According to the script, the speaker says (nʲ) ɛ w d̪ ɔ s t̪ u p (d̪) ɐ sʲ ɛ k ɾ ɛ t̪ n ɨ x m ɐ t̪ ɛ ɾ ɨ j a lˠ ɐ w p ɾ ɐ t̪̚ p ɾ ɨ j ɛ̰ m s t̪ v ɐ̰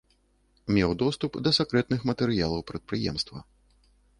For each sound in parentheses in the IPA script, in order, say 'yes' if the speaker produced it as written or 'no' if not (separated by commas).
no, yes